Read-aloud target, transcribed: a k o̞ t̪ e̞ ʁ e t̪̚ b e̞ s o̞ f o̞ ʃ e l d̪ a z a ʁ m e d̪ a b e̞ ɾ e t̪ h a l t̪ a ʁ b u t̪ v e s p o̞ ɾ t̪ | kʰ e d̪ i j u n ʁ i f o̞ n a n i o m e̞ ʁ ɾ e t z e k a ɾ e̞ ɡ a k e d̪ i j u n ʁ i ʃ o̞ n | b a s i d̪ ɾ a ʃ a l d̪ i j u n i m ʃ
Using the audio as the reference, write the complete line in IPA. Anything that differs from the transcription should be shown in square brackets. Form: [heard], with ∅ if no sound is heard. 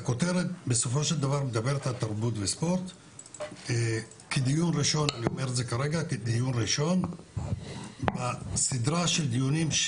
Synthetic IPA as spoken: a k o̞ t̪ e̞ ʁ e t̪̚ b e̞ s o̞ f o̞ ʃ e l d̪ a [v] a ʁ m e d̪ a b e̞ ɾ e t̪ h a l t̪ a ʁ b u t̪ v e s p o̞ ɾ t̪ | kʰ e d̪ i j u n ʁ i [ʃ] o̞ n a n i o m e̞ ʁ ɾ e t z e k a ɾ e̞ ɡ a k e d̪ i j u n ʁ i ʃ o̞ n | b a s i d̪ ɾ a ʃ [e] l d̪ i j u n i m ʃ